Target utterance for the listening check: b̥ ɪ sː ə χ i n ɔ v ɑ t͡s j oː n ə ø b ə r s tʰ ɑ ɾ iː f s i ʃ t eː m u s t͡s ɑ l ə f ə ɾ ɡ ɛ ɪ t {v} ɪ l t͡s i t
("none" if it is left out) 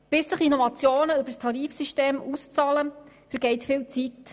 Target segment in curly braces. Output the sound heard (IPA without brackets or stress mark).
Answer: f